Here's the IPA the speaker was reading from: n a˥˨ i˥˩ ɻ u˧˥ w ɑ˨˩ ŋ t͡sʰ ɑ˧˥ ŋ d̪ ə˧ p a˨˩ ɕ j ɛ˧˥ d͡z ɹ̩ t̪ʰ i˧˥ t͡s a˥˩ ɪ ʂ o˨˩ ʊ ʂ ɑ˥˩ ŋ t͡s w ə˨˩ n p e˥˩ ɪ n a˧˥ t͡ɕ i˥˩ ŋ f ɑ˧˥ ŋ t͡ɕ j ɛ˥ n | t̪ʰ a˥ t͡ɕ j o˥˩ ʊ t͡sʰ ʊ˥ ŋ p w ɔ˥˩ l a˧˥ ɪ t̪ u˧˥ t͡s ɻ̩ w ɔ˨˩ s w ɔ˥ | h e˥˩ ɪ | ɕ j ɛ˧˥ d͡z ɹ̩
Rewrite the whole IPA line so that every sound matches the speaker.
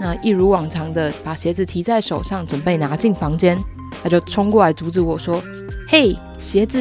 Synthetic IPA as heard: n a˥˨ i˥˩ ɻ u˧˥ w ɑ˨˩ ŋ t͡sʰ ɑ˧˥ ŋ d̪ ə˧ p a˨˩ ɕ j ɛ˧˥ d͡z ɹ̩ t̪ʰ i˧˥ t͡s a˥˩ ɪ ʂ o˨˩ ʊ ʂ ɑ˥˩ ŋ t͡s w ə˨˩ n p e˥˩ ɪ n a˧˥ t͡ɕ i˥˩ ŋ f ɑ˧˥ ŋ t͡ɕ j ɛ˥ n | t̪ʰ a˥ t͡ɕ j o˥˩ ʊ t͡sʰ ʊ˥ ŋ k w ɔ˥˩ l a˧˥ ɪ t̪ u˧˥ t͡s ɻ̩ w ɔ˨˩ ʂ w ɔ˥ | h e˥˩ ɪ | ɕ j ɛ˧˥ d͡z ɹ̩